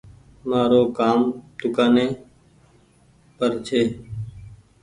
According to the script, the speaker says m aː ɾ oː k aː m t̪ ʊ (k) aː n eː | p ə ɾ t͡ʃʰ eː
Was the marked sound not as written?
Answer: no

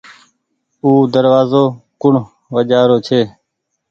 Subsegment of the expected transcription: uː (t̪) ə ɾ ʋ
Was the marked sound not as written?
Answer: yes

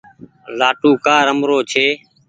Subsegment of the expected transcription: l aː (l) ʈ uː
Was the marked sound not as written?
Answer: yes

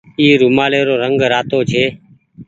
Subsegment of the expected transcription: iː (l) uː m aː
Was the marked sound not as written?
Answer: yes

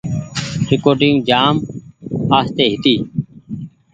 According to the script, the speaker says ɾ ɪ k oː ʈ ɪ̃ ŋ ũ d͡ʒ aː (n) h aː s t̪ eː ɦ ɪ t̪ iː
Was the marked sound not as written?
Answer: yes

